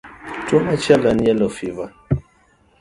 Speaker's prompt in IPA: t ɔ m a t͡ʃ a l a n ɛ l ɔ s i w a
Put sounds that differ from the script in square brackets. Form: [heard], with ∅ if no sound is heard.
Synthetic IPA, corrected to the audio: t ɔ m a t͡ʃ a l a n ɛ l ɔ [f] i [v] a